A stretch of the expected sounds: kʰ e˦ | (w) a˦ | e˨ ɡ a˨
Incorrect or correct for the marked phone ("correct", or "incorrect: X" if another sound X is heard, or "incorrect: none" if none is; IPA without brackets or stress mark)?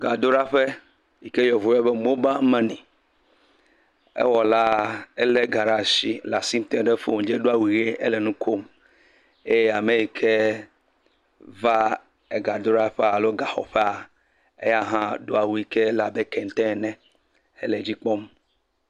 incorrect: v